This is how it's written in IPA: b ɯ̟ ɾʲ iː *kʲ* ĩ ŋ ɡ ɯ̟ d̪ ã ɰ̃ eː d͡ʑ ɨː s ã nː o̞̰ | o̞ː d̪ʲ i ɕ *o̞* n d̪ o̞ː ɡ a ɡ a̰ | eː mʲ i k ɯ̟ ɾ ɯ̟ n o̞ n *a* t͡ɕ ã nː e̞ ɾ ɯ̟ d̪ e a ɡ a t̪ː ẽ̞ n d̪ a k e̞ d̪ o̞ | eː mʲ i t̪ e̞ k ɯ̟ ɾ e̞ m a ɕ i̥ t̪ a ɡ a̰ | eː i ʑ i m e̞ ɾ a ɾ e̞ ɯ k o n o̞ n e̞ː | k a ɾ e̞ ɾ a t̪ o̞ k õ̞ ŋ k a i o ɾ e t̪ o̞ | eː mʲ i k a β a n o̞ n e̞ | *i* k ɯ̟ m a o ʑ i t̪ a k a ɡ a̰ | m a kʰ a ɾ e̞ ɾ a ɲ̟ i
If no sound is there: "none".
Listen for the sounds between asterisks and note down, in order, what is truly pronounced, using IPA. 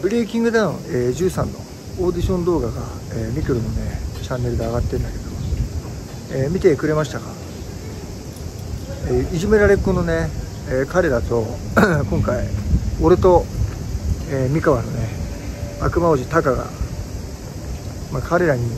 kʲ, õ̞, e, a

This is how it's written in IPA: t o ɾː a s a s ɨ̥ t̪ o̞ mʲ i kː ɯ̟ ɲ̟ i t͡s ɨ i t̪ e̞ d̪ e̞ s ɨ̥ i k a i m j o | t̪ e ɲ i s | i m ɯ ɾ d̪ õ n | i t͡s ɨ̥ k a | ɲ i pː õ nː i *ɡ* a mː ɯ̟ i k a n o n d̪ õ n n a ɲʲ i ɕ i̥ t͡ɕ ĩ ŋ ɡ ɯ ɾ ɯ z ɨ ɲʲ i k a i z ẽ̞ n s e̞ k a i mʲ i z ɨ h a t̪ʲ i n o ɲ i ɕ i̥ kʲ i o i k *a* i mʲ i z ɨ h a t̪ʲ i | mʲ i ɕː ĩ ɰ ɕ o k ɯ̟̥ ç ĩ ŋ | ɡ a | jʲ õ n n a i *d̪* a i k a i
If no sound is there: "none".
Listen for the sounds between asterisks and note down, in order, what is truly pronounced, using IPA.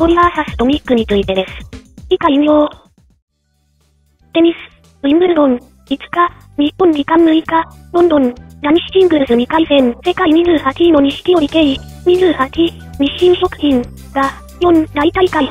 k, e, t̪

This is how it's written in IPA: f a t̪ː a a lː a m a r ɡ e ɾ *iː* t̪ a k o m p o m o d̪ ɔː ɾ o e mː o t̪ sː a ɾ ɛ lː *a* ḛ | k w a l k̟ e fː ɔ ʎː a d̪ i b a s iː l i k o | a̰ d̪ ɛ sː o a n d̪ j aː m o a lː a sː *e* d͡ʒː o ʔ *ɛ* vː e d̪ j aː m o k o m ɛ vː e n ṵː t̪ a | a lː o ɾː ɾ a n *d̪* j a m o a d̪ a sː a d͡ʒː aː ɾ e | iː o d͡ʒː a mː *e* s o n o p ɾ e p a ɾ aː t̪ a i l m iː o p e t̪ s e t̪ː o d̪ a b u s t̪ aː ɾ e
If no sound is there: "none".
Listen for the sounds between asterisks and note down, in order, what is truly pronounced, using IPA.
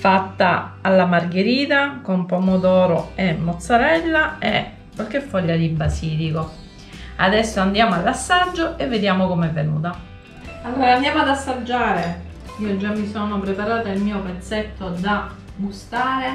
iː, a, a, e, d̪, i

